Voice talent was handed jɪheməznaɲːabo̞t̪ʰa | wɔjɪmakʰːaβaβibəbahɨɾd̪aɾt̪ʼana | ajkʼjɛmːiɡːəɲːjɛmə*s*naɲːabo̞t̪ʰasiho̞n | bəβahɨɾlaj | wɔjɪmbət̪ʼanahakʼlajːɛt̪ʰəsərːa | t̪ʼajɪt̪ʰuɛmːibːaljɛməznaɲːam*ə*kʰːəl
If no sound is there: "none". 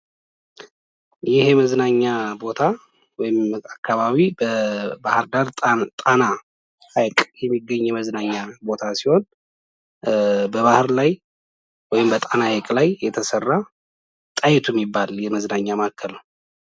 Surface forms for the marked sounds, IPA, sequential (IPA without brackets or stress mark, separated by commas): z, a